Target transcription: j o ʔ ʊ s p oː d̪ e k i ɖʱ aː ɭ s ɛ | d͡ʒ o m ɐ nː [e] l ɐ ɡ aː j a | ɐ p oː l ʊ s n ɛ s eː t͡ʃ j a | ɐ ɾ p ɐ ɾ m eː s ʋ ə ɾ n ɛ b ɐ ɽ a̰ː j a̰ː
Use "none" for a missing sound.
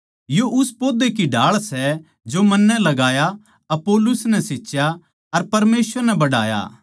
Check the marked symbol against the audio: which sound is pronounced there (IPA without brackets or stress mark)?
ɛ